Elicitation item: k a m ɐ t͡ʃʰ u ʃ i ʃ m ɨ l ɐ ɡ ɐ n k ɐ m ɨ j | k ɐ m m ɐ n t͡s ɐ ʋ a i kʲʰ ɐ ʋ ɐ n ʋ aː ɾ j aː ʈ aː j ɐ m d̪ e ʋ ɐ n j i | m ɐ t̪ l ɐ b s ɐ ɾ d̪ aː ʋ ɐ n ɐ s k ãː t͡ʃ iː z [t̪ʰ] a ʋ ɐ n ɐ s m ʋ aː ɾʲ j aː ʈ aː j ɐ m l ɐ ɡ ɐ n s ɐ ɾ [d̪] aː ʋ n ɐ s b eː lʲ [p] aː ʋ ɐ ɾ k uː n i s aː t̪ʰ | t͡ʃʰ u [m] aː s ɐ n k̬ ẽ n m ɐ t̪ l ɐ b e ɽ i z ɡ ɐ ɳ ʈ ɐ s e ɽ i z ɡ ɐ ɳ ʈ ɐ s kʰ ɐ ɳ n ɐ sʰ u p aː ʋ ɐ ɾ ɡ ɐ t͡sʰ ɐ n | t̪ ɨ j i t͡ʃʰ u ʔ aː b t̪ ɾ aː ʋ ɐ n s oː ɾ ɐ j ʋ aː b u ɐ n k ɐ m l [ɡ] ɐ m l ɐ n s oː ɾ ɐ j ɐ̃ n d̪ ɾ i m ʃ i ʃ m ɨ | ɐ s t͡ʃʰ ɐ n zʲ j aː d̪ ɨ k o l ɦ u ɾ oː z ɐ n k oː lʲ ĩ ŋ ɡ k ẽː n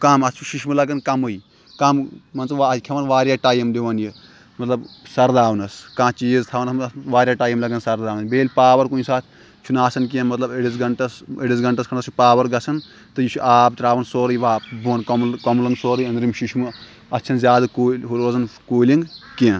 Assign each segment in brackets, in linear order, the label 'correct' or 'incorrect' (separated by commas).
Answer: correct, correct, correct, incorrect, incorrect